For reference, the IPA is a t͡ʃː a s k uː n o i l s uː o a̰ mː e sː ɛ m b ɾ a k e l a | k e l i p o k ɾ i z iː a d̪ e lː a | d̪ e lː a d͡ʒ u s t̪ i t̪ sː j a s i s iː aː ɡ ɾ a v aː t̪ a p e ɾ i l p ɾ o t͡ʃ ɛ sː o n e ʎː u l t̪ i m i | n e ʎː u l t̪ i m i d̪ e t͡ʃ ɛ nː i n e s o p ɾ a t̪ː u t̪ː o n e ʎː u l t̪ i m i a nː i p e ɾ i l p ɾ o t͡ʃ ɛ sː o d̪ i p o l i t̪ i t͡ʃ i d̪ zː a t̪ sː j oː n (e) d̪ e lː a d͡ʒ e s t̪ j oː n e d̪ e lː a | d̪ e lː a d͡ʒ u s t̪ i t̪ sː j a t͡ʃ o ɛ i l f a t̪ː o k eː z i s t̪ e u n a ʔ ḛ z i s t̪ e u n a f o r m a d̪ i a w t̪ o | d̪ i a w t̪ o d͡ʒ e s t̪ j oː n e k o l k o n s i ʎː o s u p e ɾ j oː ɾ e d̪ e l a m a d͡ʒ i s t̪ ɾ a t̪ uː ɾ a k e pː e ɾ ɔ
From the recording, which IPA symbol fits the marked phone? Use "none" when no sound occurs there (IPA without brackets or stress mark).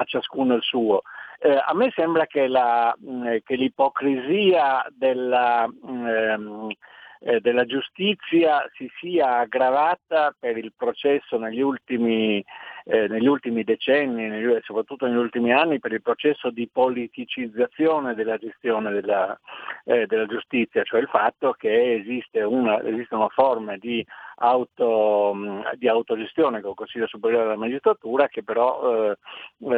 e